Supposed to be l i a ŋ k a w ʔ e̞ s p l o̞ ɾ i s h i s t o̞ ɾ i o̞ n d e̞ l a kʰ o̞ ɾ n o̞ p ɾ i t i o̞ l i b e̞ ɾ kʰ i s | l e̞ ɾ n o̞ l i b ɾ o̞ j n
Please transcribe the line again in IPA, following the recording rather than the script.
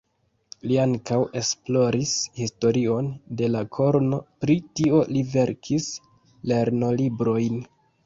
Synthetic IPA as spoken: l i a ŋ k a w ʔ e̞ s p l o̞ ɾ i s h i s t o̞ ɾ i o̞ n d e̞ l a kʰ o̞ ɾ n o̞ p ɾ i t i o̞ l i v e̞ ɾ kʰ i s | l e̞ ɾ n o̞ l i b ɾ o̞ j n